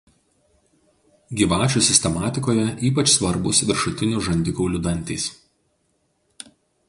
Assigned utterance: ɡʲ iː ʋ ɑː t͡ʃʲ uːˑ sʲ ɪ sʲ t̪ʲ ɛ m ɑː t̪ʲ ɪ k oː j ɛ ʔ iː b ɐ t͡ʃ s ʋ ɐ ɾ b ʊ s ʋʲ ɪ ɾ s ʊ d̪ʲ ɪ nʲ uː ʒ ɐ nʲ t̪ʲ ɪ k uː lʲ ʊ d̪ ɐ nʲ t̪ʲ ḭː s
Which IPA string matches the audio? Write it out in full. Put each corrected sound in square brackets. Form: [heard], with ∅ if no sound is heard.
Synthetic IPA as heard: ɡʲ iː ʋ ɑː t͡ʃʲ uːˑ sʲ ɪ sʲ t̪ʲ ɛ m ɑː t̪ʲ ɪ k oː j ɛ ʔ iː [p] ɐ t͡ʃ s ʋ ɐ ɾ b ʊ s ʋʲ ɪ ɾ [ʃ] ʊ [t̪ʲ] ɪ nʲ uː ʒ ɐ nʲ [d̪ʲ] ɪ k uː lʲ ʊ d̪ ɐ nʲ t̪ʲ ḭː s